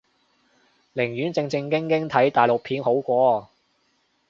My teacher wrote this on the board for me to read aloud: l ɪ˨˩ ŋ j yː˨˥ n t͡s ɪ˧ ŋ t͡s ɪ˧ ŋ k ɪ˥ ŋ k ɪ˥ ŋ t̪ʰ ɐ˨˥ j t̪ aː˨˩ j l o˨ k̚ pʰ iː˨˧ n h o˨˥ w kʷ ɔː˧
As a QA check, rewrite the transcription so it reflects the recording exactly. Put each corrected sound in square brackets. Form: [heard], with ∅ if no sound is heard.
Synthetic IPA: l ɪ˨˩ ŋ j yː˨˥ n t͡s ɪ˧ ŋ t͡s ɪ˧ ŋ k ɪ˥ ŋ k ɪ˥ ŋ t̪ʰ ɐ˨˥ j t̪ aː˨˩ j l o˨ k̚ pʰ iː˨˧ n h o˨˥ w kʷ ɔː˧